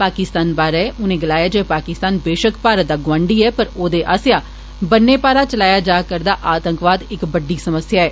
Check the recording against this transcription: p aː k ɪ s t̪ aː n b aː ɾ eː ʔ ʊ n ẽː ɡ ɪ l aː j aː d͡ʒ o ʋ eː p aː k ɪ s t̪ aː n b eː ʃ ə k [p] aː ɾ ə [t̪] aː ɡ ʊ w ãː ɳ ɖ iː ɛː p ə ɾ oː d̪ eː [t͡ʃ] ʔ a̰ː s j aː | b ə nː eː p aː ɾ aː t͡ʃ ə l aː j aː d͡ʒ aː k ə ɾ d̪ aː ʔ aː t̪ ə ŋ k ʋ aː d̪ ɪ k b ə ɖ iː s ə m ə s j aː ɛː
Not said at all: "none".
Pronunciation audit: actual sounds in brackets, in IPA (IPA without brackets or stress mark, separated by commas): p, d̪, none